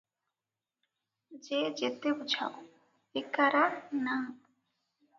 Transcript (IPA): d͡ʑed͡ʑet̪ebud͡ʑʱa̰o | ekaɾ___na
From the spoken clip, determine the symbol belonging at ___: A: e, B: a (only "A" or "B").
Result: B